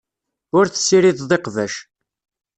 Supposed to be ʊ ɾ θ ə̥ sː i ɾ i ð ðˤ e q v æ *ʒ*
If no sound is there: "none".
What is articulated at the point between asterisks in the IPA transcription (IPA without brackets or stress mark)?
ʃ